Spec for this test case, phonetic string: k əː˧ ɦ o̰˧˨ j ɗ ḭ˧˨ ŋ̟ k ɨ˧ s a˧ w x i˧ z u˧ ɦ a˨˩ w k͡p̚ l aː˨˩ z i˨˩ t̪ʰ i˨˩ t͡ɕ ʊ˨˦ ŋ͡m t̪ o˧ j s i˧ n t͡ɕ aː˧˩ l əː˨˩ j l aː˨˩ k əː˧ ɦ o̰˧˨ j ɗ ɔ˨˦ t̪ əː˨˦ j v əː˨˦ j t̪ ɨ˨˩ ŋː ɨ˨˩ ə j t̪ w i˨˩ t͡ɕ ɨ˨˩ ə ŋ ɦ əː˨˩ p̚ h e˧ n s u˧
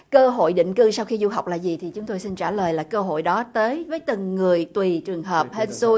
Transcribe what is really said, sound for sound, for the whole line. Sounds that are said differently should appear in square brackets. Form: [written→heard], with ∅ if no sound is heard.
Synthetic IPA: k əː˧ ɦ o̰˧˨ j ɗ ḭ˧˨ ŋ̟ k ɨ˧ s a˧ w x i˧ z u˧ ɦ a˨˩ w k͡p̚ l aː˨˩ z i˨˩ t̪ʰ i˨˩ t͡ɕ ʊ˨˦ ŋ͡m t̪ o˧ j s i˧ n t͡ɕ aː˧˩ l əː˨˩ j l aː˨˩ k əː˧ ɦ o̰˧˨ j ɗ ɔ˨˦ t̪ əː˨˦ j v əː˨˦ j t̪ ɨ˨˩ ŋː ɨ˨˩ ə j t̪ w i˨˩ t͡ɕ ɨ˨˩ ə ŋ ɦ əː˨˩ p̚ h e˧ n s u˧

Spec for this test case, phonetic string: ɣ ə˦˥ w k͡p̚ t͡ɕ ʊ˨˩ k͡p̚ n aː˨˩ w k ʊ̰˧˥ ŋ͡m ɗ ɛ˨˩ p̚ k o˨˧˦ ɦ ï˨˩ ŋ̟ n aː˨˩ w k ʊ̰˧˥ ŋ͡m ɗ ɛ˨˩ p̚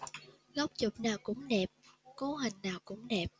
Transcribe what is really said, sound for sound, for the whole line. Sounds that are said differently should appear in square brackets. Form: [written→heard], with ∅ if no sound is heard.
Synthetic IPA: ɣ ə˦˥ w k͡p̚ t͡ɕ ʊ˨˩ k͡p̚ n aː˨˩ w k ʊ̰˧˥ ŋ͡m ɗ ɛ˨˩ p̚ k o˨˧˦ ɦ ï˨˩ ŋ̟ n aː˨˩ w k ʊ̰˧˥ ŋ͡m ɗ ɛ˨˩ p̚

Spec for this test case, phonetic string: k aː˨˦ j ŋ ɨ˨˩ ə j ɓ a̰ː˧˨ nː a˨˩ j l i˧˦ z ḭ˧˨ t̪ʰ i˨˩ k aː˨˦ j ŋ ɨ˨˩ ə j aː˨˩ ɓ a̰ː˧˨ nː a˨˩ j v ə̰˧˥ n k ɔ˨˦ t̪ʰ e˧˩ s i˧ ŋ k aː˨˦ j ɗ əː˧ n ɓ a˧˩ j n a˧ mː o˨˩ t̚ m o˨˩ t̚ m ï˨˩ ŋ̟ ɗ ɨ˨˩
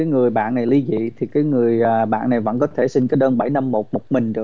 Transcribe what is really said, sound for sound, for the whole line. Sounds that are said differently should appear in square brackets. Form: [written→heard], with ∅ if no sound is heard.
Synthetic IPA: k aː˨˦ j ŋ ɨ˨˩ ə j ɓ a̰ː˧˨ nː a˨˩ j l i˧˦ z ḭ˧˨ t̪ʰ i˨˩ k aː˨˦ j ŋ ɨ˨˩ ə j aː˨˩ ɓ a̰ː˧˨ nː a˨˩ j v ə̰˧˥ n k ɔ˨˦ t̪ʰ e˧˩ s i˧ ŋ k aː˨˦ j ɗ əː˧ n ɓ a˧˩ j n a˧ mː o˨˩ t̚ m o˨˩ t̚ m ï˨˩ ŋ̟ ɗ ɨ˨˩

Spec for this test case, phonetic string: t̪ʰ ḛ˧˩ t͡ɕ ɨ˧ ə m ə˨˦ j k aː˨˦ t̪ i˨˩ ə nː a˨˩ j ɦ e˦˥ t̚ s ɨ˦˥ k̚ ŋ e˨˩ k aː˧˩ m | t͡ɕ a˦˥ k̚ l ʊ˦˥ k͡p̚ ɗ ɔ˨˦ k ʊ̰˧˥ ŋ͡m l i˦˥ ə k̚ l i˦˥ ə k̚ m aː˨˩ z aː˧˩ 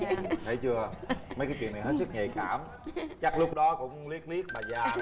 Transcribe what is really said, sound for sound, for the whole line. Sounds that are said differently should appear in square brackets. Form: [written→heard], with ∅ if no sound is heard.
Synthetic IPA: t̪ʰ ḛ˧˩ t͡ɕ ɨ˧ ə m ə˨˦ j k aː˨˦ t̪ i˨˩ ə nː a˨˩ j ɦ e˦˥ t̚ s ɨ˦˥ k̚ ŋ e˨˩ k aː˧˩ m | t͡ɕ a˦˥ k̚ l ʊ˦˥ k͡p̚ ɗ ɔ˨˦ k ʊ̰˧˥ ŋ͡m l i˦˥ ə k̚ l i˦˥ ə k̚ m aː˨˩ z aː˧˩

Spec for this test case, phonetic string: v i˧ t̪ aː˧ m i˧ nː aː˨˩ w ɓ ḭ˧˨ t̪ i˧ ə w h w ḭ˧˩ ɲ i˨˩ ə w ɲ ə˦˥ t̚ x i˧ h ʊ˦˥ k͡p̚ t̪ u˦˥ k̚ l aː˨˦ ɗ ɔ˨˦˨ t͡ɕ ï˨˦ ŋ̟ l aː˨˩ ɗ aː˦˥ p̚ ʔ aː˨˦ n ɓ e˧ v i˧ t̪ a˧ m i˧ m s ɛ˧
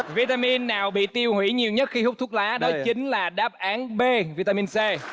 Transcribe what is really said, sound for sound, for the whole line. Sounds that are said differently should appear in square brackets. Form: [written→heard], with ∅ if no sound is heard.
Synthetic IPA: v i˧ t̪ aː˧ m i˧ nː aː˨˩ w ɓ ḭ˧˨ t̪ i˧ ə w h w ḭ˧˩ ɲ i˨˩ ə w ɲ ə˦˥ t̚ x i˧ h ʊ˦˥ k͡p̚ t̪ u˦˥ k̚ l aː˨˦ ɗ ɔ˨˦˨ t͡ɕ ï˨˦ ŋ̟ l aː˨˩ ɗ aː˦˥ p̚ ʔ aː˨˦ n ɓ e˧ v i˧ t̪ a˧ m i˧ [m→n] s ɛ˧

